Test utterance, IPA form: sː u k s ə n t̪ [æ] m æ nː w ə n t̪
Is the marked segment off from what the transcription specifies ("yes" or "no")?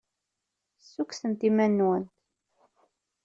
yes